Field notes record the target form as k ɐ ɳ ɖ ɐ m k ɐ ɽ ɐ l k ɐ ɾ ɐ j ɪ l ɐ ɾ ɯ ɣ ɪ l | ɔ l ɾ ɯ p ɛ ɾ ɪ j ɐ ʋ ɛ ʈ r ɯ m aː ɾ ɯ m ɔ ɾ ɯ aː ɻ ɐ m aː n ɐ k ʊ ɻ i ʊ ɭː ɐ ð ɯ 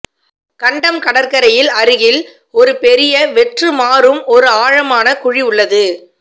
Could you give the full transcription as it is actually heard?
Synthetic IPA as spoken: k ɐ ɳ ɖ ɐ m k ɐ ɽ ɐ ɾ k ɐ ɾ ɐ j ɪ l ɐ ɾ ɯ ɣ ɪ l | ɔ ɾ ɯ p ɛ ɾ ɪ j ɐ ʋ ɛ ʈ r ɯ m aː ɾ ɯ m ɔ ɾ ɯ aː ɻ ɐ m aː n ɐ k ʊ ɻ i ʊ ɭː ɐ ð ɯ